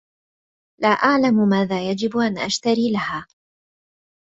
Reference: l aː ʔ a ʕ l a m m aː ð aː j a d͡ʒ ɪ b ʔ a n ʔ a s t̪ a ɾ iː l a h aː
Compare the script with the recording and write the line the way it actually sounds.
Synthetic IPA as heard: l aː ʔ a ʕ l a m m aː ð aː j a d͡ʒ ɪ b ʔ a n ʔ a ʃ t̪ a ɾ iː l a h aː